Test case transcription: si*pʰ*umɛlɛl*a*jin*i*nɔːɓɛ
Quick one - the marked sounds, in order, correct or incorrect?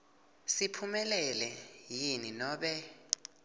correct, incorrect: ɛ, correct

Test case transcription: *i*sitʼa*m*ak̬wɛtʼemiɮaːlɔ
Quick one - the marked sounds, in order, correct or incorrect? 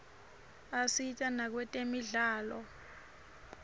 incorrect: a, incorrect: n

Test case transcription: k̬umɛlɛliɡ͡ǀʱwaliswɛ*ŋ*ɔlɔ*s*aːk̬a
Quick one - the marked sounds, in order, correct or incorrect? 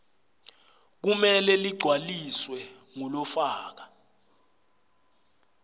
correct, incorrect: f

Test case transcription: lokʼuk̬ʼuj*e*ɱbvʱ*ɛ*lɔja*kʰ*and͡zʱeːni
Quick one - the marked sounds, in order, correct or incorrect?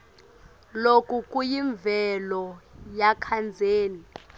incorrect: i, correct, correct

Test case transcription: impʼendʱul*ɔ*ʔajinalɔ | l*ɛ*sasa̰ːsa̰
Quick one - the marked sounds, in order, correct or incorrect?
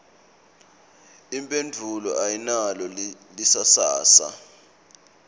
correct, incorrect: i

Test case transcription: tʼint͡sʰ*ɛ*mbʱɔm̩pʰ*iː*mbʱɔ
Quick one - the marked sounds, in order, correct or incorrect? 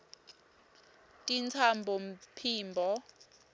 incorrect: a, correct

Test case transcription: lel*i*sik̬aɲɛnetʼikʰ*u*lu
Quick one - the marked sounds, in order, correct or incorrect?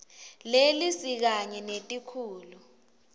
correct, incorrect: uː

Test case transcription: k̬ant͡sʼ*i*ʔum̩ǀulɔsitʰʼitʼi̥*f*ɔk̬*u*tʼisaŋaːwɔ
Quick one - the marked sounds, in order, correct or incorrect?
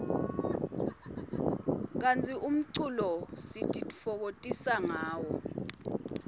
correct, correct, incorrect: o

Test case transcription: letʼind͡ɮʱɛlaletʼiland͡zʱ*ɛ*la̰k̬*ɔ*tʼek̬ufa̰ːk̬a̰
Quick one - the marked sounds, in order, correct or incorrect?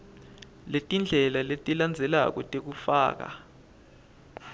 correct, correct

